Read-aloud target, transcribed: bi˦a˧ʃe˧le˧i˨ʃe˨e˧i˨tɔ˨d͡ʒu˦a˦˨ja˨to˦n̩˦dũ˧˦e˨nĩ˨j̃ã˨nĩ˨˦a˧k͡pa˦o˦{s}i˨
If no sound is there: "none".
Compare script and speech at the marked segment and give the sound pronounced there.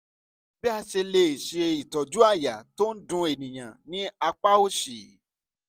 ʃ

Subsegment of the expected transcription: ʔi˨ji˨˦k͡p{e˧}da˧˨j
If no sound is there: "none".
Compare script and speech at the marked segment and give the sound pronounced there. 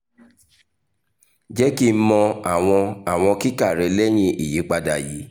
a˧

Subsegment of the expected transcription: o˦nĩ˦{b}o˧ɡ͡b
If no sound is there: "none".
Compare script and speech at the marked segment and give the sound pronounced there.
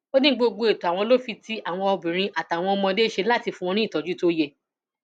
ɡ͡b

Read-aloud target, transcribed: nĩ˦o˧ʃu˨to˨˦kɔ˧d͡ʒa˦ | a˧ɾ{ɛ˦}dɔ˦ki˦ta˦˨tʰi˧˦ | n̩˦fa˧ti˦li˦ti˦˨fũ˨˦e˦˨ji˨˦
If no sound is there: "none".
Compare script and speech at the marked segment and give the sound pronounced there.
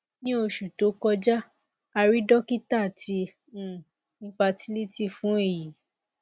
i˦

